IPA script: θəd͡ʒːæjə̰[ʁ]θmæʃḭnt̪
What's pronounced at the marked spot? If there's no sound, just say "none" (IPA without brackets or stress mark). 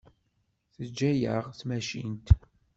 ʁ